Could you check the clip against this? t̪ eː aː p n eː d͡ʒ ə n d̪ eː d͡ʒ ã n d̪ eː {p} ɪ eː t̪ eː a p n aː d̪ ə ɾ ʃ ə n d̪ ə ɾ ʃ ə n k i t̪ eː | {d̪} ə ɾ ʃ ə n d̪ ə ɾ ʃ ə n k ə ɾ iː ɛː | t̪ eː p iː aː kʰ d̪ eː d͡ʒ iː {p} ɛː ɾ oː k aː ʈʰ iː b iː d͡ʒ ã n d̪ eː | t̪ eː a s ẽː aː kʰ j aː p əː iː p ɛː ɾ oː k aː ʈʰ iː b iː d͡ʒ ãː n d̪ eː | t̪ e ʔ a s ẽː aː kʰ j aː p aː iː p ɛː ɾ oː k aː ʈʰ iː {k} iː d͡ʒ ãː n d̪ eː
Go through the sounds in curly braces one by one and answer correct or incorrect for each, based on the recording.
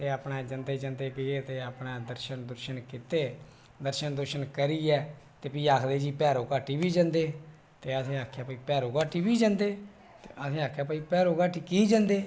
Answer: incorrect, correct, correct, correct

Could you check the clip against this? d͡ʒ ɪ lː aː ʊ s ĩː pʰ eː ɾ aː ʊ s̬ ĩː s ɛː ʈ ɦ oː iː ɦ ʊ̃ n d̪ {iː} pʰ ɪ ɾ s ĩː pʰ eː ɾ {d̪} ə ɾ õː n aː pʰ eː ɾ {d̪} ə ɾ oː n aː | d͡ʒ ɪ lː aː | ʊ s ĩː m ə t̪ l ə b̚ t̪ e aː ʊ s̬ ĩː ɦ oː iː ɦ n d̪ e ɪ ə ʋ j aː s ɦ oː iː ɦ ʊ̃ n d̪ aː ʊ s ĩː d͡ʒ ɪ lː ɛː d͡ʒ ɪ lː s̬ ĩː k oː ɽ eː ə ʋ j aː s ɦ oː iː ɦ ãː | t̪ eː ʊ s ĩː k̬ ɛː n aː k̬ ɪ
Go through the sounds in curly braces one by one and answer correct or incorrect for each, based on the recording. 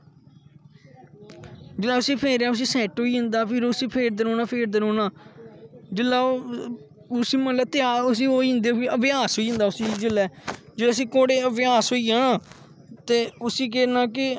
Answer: incorrect, correct, correct

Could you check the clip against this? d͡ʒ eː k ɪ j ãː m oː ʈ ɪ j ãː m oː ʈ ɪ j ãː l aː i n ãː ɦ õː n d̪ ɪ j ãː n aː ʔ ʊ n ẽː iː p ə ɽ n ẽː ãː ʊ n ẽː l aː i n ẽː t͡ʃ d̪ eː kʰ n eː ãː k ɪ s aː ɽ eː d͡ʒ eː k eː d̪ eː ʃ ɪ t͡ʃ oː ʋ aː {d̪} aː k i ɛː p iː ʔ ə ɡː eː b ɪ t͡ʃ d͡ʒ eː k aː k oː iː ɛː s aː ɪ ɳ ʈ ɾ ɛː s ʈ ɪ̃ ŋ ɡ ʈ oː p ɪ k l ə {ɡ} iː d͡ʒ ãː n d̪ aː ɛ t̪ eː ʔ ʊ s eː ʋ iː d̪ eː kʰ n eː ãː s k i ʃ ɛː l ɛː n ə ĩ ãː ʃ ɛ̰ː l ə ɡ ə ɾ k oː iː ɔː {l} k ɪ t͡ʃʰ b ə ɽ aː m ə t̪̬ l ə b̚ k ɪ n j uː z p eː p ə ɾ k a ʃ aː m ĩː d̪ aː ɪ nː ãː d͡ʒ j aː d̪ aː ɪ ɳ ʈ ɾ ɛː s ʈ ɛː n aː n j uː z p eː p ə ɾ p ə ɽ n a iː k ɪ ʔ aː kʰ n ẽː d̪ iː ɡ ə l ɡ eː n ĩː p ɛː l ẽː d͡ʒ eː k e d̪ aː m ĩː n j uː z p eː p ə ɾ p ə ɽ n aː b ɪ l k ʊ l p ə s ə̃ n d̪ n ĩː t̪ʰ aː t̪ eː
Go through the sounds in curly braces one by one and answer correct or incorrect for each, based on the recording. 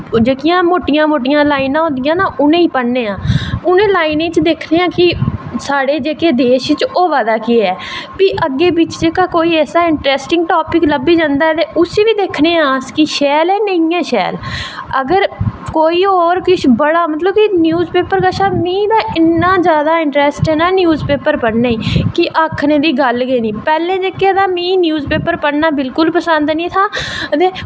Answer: correct, incorrect, incorrect

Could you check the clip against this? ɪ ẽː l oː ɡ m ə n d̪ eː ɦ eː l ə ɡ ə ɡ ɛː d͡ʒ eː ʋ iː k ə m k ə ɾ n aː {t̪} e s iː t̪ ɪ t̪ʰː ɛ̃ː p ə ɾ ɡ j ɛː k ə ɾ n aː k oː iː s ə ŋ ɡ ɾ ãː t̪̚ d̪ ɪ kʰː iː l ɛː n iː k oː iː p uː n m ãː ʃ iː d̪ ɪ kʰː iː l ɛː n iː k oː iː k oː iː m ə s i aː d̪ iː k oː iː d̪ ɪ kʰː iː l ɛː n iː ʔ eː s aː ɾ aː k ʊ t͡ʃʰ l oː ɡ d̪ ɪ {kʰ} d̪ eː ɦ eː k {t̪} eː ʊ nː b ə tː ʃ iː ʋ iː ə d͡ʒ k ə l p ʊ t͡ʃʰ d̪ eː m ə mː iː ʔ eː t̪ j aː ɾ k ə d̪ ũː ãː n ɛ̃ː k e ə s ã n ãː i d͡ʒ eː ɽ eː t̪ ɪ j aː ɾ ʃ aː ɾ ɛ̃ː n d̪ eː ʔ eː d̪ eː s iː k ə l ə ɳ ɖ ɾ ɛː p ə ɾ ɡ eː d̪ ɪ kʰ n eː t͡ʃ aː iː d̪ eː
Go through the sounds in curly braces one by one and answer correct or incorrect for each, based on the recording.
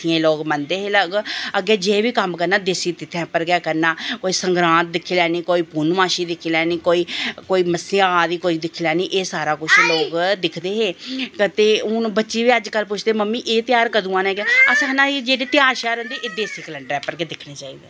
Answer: incorrect, correct, correct

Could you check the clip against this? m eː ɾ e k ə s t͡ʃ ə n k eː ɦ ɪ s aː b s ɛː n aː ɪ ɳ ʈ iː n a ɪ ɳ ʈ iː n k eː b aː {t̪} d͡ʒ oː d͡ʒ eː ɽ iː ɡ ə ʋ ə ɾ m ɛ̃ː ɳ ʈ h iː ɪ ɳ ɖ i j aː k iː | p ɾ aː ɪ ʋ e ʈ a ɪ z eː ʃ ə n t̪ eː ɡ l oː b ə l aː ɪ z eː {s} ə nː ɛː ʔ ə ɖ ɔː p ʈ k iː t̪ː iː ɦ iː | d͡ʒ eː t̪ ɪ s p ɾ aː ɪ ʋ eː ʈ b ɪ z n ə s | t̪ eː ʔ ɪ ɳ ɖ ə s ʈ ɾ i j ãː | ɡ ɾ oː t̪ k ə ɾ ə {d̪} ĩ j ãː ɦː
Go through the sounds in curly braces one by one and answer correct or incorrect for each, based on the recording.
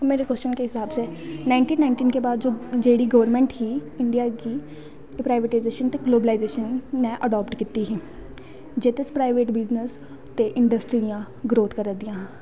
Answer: incorrect, incorrect, correct

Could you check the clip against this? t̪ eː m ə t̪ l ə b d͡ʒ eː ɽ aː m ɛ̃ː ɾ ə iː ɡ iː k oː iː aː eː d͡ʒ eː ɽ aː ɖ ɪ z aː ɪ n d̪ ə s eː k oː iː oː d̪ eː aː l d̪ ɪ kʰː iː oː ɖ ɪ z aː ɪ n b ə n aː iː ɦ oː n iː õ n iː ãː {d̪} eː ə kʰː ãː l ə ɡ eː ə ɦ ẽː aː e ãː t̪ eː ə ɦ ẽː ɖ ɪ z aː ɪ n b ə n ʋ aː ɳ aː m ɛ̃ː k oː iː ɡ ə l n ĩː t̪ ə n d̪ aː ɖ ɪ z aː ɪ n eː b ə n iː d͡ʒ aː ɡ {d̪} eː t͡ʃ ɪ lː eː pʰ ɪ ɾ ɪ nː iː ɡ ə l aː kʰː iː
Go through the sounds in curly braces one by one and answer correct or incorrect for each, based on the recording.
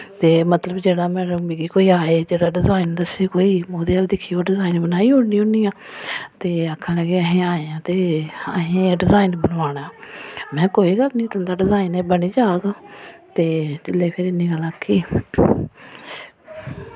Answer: incorrect, incorrect

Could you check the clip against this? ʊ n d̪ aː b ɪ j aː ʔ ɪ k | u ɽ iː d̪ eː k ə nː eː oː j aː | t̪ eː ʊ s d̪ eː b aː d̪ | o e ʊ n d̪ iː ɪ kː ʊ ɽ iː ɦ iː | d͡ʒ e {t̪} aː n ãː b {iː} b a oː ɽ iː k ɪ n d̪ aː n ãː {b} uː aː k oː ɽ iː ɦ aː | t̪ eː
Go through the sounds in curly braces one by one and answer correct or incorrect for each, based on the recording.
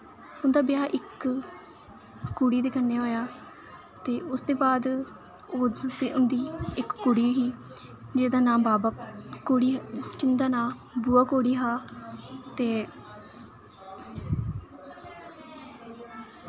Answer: incorrect, incorrect, correct

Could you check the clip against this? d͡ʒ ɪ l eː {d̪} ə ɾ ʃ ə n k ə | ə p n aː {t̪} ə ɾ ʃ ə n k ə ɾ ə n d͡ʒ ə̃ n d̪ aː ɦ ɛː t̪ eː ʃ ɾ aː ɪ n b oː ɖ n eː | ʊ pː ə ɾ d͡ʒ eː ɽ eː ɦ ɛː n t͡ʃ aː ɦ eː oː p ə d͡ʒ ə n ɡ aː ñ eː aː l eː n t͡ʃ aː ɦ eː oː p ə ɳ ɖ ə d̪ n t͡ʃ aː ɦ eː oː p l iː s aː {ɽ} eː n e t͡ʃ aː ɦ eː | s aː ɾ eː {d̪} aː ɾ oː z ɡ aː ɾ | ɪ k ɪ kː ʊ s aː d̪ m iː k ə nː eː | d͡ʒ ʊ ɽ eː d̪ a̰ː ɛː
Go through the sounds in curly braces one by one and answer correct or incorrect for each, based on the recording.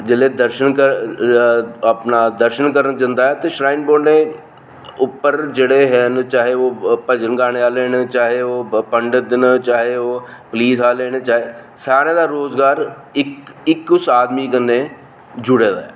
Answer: correct, incorrect, incorrect, correct

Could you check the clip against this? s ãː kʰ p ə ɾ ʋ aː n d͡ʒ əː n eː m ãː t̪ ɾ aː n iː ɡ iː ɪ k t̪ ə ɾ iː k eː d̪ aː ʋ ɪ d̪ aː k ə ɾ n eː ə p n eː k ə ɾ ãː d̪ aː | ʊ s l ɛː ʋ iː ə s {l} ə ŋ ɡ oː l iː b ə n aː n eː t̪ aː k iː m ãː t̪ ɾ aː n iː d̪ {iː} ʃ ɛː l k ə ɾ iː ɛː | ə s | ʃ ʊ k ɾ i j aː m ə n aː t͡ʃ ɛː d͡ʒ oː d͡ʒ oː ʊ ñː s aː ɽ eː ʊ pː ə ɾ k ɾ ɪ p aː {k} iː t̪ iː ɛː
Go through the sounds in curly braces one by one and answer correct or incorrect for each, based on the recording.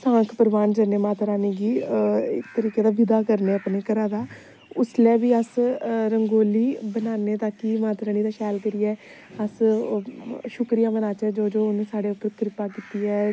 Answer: incorrect, incorrect, correct

